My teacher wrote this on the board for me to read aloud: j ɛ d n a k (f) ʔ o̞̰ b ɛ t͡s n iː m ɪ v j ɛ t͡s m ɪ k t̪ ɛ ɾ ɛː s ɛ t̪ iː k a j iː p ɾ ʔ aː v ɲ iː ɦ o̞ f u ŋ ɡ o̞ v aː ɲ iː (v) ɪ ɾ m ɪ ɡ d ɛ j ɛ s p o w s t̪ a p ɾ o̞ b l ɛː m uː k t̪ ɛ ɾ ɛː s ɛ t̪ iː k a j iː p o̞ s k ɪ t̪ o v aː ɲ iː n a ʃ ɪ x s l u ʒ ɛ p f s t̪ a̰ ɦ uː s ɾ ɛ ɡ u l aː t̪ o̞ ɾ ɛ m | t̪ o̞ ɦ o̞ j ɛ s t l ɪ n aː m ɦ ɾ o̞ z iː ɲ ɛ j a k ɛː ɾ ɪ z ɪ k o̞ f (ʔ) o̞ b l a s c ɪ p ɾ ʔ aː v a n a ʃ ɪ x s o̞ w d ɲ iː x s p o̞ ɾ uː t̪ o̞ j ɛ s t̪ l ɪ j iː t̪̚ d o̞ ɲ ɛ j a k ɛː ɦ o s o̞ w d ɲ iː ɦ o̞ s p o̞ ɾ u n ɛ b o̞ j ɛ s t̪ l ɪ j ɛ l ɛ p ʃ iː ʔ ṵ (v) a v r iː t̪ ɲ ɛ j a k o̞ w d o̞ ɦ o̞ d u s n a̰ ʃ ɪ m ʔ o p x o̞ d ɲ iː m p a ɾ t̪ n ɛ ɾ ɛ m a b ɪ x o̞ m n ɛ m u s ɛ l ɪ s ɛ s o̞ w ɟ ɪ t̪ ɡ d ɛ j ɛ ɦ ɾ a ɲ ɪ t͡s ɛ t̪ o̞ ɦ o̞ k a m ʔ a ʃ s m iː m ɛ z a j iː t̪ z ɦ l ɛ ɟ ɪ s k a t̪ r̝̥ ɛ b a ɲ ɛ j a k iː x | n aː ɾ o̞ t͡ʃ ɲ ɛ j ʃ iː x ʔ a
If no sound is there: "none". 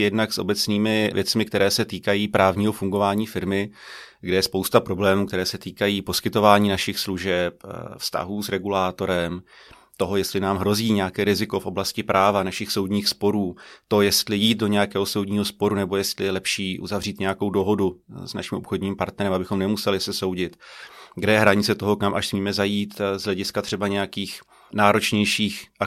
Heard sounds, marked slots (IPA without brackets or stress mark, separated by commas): s, f, ʔ, z